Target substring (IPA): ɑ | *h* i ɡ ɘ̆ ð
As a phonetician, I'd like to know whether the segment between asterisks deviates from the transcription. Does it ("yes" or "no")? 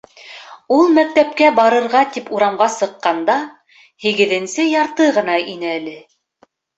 no